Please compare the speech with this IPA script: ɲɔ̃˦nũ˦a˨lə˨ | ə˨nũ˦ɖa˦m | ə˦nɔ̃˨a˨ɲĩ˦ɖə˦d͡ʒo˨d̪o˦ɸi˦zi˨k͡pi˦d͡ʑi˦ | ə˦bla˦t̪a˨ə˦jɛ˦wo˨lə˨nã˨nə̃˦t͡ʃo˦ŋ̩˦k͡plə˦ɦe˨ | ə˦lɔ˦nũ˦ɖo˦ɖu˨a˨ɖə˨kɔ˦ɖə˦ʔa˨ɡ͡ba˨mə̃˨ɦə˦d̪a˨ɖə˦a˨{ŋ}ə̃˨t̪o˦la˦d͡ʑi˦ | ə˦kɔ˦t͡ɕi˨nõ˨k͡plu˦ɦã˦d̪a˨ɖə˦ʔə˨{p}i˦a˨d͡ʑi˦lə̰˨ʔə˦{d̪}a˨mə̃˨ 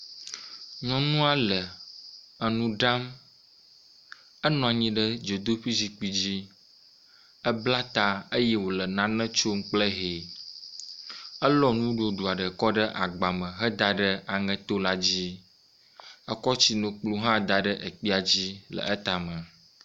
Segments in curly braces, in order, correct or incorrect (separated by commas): correct, incorrect, incorrect